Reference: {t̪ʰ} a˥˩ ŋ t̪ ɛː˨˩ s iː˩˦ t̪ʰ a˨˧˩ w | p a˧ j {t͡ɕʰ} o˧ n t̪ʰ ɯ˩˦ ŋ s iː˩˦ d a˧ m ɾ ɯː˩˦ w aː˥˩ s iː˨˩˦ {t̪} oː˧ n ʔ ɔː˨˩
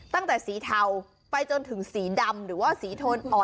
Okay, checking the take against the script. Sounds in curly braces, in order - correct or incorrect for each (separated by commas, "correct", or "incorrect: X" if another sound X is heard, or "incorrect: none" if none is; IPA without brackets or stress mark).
incorrect: t̪, incorrect: t͡ɕ, incorrect: t̪ʰ